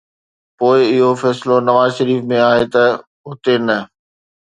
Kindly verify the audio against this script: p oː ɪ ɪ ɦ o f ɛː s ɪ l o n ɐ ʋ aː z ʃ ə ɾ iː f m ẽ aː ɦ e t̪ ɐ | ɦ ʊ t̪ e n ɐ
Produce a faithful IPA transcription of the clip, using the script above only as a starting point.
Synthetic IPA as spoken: p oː ɪ ɪ ɦ o f ɛː s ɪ l o n ɐ ʋ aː z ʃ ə ɾ iː f m ẽ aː ɦ e t̪ ɐ | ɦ ʊ t̪ e n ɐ